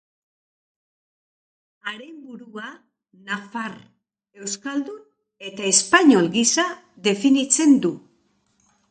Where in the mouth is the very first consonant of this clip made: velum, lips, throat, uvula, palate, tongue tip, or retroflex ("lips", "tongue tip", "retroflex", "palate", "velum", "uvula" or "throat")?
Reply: tongue tip